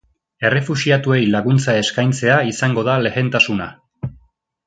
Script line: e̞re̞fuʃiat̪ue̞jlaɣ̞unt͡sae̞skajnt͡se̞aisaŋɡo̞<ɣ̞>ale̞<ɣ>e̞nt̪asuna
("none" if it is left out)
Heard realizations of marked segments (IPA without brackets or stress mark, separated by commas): ð̞, ɣ